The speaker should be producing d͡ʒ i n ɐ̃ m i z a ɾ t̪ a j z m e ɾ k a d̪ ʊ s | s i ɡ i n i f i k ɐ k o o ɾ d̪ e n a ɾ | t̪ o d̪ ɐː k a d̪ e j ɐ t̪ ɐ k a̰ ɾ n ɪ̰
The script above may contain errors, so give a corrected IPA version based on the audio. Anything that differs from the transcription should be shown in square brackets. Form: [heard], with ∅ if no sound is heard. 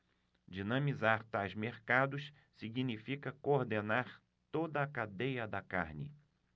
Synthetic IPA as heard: d͡ʒ i n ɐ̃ m i z a ɾ t̪ a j z m e ɾ k a d̪ ʊ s | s i ɡ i n i f i k ɐ k o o ɾ d̪ e n a ɾ | t̪ o d̪ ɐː k a d̪ e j ɐ [d̪] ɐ k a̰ ɾ n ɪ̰